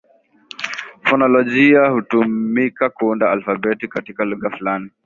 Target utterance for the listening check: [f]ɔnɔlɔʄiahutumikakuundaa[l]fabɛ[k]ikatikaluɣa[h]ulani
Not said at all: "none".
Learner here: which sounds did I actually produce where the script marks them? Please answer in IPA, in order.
f, l, t, f

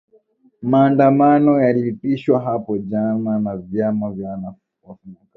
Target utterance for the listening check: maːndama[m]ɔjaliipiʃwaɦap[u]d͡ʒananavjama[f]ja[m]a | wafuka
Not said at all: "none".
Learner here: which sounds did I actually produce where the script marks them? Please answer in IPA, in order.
n, ɔ, v, n

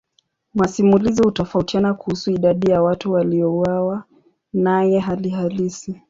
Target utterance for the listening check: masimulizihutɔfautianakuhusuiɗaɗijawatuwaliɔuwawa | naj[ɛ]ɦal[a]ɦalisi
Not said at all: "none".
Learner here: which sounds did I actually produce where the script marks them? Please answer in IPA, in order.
ɛ, i

